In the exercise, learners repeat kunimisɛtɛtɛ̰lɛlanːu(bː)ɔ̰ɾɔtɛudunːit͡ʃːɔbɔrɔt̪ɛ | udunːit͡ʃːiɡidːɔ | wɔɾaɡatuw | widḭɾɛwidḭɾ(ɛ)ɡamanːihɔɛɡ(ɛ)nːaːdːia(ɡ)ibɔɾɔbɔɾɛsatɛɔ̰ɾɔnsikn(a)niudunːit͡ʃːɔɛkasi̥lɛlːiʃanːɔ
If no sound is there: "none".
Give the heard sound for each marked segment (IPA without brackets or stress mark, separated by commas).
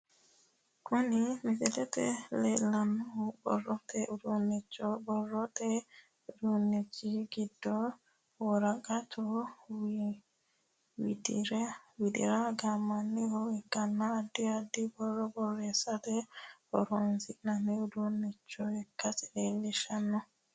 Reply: b, a, a, d, a